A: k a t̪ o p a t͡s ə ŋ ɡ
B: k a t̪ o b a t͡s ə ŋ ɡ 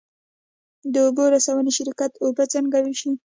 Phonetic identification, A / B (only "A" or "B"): B